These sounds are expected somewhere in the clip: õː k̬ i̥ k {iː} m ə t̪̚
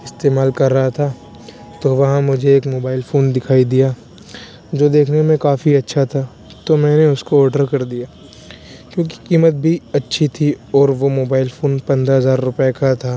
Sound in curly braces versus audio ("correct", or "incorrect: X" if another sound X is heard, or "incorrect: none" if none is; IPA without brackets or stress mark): correct